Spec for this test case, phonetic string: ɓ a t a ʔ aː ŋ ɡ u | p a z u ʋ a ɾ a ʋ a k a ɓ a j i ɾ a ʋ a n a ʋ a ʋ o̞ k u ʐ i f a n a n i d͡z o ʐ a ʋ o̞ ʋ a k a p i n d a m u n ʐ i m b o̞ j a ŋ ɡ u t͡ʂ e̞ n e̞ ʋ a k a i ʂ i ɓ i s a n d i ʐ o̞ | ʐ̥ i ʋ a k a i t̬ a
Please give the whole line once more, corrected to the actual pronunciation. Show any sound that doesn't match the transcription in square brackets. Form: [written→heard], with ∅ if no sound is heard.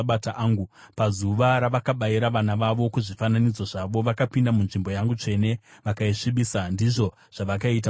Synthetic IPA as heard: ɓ a t a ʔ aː ŋ ɡ u | p a z u ʋ a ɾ a ʋ a k a ɓ a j i ɾ a ʋ a n a ʋ a ʋ o̞ k u ʐ i f a n a n i d͡z o ʐ a ʋ o̞ ʋ a k a p i n d a m u n ʐ i m b o̞ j a ŋ ɡ u t͡ʂ e̞ n e̞ ʋ a k a i ʂ i ɓ i s a n d i ʐ o̞ | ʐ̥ [i→a] ʋ a k a i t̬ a